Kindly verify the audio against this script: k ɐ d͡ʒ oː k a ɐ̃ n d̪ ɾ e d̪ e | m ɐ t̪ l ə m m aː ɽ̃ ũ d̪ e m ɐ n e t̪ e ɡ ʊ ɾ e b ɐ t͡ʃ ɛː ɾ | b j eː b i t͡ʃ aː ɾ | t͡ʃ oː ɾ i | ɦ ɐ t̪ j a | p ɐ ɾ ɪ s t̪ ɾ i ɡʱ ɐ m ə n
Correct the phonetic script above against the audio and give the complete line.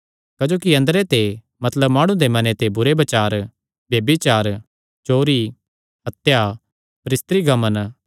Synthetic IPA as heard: k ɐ d͡ʒ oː k i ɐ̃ n d̪ ɾ e t̪ e | m ɐ t̪ l ə b m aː ɽ̃ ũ d̪ e m ɐ n e t̪ e b ʊ ɾ e b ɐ t͡ʃ aː ɾ | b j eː b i t͡ʃ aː ɾ | t͡ʃ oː ɾ i | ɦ ɐ t̪ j a | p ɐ ɾ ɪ s t̪ ɾ i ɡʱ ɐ m ə n

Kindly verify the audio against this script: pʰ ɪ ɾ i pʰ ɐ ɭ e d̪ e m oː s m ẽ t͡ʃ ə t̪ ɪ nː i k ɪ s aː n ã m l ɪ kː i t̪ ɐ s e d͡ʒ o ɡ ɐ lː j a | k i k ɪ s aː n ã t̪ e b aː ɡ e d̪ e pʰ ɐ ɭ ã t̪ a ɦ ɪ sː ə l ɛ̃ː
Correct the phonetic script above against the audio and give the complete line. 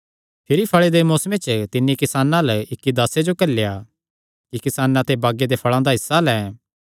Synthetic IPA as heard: pʰ ɪ ɾ i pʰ ɐ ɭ e d̪ e m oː s m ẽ t͡ʃ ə t̪ ɪ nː i k ɪ s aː n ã l ɪ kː i d̪ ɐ s e d͡ʒ o k ɐ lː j a | k i k ɪ s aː n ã t̪ e b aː ɡ e d̪ e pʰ ɐ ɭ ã d̪ a ɦ ɪ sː a l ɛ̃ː

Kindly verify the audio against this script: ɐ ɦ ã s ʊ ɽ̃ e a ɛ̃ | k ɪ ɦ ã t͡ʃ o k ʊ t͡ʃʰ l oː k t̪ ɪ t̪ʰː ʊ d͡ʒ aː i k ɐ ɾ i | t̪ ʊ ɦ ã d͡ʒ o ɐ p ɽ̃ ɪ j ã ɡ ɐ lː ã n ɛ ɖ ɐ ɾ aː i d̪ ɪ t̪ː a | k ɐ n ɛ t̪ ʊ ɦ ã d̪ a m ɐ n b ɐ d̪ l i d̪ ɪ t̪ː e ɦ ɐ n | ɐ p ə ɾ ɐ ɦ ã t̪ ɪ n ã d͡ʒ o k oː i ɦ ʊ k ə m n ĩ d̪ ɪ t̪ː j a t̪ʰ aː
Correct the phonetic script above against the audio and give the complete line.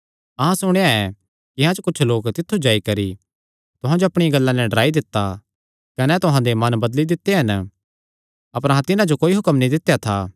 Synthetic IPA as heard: ɐ ɦ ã s ʊ ɽ̃ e a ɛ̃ | k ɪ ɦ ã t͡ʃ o k ʊ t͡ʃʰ l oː k t̪ ɪ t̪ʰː u d͡ʒ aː i k ɐ ɾ i | t̪ ʊ ɦ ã d͡ʒ o ɐ p ɽ̃ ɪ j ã ɡ ɐ lː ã n ɛ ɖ ɐ ɾ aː i d̪ ɪ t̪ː a | k ɐ n ɛ t̪ ʊ ɦ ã d̪ e m ɐ n b ɐ d̪ l i d̪ ɪ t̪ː e ɦ ɐ n | ɐ p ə ɾ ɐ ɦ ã t̪ ɪ n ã d͡ʒ o k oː i ɦ ʊ k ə m n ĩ d̪ ɪ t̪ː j a t̪ʰ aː

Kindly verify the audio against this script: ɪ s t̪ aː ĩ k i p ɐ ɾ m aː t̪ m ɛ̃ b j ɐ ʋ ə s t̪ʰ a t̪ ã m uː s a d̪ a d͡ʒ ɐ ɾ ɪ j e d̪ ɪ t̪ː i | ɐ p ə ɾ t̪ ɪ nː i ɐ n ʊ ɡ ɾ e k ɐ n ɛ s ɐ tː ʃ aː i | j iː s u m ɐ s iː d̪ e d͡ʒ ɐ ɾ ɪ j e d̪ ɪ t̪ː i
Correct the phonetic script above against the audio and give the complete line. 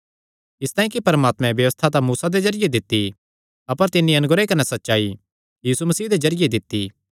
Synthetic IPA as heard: ɪ s t̪ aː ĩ k i p ɐ ɾ m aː t̪ m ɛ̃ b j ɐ ʋ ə s t̪ʰ a t̪ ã m uː s a d̪ e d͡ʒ ɐ ɾ ɪ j e d̪ ɪ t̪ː i | ɐ p ə ɾ t̪ ɪ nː i ɐ n ʊ ɡ ɾ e k ɐ n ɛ s ɐ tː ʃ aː i | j iː s u m ɐ s iː d̪ e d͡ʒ ɐ ɾ ɪ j e d̪ ɪ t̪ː i

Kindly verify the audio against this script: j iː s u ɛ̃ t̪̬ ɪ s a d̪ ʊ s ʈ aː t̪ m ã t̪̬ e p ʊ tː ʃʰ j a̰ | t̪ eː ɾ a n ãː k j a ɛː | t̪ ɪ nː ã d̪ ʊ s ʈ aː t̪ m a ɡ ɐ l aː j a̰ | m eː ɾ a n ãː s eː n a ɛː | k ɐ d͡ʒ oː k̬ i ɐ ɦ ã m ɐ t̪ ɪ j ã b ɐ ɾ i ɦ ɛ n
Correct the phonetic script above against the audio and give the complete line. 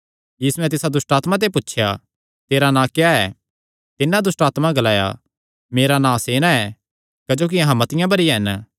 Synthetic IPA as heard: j iː s u ɛ̃ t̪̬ ɪ s a d̪ ʊ s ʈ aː t̪ m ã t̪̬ e p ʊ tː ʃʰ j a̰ | t̪ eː ɾ a n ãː k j a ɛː | t̪ ɪ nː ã d̪ ʊ s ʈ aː t̪ m a ɡ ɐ l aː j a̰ | m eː ɾ a n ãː s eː n a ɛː | k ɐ d͡ʒ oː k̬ i ɐ ɦ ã m ɐ t̪ ɪ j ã b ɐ ɾ i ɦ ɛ n

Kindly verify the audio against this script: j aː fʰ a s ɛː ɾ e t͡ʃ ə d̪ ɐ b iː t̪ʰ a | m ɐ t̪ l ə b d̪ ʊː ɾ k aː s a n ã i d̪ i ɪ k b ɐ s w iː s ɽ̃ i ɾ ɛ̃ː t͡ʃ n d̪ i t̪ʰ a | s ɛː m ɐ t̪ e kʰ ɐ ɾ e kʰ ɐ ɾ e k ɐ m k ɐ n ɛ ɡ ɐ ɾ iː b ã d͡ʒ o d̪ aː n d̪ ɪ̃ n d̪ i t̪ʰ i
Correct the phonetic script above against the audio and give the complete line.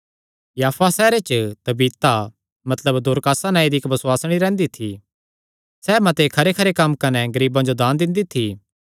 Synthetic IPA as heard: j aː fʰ a s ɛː ɾ e t͡ʃ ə t̪ ɐ b iː t̪ a | m ɐ t̪ l ə b d̪ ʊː ɾ k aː s a n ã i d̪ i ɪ k b ɐ s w aː s ɽ̃ i ɾ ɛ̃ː n d̪ i t̪ʰ i | s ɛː m ɐ t̪ e kʰ ɐ ɾ e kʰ ɐ ɾ e k ɐ m k ɐ n ɛ ɡ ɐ ɾ iː b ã d͡ʒ o d̪ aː n d̪ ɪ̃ n d̪ i t̪ʰ i

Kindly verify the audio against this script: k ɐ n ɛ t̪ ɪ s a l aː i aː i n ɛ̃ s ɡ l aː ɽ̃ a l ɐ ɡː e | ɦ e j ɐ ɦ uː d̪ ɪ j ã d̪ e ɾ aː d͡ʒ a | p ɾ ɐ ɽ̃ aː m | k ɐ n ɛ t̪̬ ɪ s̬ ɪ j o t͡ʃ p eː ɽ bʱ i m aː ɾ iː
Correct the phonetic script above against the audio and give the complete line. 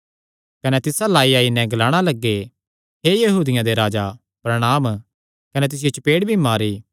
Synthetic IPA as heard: k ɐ n ɛ t̪ ɪ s a l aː i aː i n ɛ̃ ɡ l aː ɽ̃ a l ɐ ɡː e | ɦ e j ɐ ɦ uː d̪ ɪ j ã d̪ e ɾ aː d͡ʒ a | p ɾ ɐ ɽ̃ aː m | k ɐ n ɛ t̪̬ ɪ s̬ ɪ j o t͡ʃ p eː ɽ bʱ i m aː ɾ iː

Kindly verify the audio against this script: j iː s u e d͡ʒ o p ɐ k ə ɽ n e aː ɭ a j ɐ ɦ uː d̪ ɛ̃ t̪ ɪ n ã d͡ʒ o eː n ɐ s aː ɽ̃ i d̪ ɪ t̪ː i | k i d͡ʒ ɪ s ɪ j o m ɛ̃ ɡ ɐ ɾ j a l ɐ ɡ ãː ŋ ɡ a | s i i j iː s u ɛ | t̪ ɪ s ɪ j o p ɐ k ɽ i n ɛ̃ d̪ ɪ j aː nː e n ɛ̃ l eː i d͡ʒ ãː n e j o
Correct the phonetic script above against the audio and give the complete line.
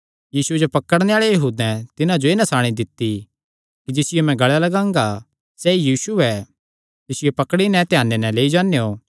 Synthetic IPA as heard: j iː s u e d͡ʒ o p ɐ k ə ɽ n e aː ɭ e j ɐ ɦ uː d̪ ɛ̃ t̪ ɪ n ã d͡ʒ o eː n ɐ s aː ɽ̃ i d̪ ɪ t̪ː i | k i d͡ʒ ɪ s ɪ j o m ɛ̃ ɡ ɐ ɭ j a l ɐ ɡ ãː ŋ ɡ a | s ɛ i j iː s u ɛ | t̪ ɪ s ɪ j o p ɐ k ɽ i n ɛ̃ t̪ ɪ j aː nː e n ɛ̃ l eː i d͡ʒ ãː n e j o

